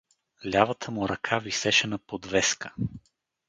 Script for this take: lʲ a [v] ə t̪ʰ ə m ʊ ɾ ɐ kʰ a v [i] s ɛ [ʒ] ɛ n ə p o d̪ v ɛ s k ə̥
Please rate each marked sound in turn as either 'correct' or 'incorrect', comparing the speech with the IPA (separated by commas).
correct, correct, incorrect